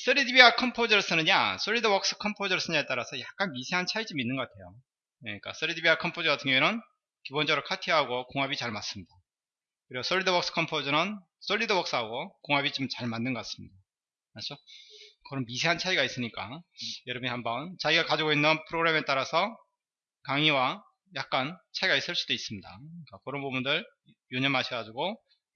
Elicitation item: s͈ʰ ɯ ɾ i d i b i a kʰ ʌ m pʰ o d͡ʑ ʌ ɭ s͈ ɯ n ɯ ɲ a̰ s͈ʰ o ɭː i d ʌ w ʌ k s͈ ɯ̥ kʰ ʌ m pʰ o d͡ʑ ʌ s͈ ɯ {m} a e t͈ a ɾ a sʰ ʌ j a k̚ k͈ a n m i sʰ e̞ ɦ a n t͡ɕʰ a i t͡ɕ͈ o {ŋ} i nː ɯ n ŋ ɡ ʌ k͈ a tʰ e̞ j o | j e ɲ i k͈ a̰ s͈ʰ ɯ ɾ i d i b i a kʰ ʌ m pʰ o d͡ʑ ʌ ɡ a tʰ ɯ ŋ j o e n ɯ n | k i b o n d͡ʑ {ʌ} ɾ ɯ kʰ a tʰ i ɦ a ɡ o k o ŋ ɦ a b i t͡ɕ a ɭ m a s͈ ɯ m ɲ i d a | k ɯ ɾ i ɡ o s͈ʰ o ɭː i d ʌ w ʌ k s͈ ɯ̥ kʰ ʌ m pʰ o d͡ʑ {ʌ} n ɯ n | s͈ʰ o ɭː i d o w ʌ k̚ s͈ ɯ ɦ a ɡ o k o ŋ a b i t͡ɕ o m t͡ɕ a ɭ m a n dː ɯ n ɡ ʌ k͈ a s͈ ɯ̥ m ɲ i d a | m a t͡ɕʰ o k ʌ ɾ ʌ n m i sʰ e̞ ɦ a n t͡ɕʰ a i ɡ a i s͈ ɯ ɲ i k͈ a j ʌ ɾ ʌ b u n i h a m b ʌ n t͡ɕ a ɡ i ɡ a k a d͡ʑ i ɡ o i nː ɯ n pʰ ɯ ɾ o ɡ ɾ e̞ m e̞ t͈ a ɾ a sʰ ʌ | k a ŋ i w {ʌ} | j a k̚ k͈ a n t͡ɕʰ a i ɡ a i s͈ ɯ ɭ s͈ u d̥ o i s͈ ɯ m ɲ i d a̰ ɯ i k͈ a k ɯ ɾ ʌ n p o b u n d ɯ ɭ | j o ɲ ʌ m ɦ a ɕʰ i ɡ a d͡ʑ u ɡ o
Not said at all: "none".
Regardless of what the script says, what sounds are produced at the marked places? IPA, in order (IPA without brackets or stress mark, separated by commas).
ɲ, m, ʌ, ʌ, a